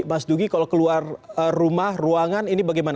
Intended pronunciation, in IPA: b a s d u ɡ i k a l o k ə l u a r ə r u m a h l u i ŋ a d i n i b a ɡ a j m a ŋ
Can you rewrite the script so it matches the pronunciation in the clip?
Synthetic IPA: m a s d u ɡ i k a l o k ə l u a r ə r u m a h r u a ŋ a n i n i b a ɡ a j m a n